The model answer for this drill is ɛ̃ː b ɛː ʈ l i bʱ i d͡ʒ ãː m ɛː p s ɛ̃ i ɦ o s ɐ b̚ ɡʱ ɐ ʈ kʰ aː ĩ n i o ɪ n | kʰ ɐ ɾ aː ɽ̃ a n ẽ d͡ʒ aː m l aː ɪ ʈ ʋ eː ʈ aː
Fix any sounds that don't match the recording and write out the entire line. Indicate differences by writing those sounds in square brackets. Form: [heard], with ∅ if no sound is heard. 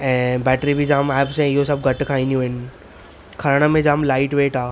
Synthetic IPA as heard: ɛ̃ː b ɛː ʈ [ɾ] i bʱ i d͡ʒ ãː m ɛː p s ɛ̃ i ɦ o s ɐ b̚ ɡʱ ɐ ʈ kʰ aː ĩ n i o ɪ n | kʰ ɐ ɾ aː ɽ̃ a [m] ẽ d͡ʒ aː m l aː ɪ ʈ ʋ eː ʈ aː